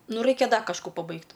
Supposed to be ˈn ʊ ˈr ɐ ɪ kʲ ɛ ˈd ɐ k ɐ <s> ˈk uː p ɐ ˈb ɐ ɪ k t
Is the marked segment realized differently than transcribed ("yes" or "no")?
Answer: yes